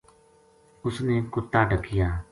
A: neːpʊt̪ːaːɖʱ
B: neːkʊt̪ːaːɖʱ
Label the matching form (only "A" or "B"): B